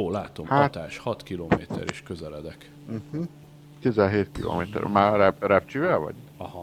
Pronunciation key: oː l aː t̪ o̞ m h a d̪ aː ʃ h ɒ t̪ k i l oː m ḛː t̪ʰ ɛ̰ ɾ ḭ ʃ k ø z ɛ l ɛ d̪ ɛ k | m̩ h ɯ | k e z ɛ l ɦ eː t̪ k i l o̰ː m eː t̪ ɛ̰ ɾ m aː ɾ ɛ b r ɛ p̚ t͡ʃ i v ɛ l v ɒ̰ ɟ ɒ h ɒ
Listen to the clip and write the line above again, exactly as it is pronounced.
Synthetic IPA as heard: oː l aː t̪ o̞ m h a t̪ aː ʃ h ɒ t̪ k i l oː m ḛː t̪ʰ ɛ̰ ɾ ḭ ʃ k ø z ɛ l ɛ d̪ ɛ k | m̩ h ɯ | k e z ɛ l ɦ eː t̪ k i l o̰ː m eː t̪ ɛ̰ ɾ m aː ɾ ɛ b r ɛ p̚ t͡ʃ i v ɛ l v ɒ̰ ɟ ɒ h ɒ